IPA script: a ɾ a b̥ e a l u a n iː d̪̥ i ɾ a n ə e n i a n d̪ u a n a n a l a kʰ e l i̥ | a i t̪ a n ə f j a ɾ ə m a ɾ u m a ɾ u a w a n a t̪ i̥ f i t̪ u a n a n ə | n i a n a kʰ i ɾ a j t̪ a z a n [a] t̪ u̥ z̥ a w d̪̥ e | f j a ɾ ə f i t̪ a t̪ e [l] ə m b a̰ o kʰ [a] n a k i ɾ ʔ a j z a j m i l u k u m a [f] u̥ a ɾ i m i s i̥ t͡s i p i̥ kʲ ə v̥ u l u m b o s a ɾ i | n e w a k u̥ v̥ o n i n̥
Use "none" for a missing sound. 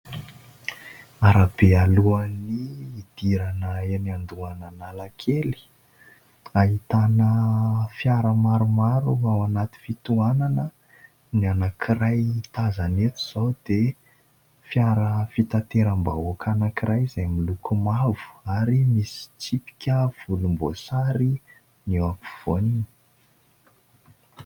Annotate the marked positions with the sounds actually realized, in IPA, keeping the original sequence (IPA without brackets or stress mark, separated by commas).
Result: e, ɾ, a, v